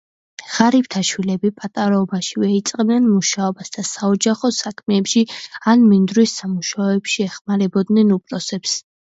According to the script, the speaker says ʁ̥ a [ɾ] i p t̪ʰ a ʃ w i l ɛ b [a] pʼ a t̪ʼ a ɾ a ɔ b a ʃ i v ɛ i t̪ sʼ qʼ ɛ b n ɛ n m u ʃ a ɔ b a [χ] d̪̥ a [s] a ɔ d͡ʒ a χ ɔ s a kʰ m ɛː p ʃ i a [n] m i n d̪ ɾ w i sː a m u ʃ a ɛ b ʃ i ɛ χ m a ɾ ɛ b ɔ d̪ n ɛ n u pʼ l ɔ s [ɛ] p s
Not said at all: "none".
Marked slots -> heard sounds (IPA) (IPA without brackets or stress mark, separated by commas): ɾ, i, s, s, n, ɛ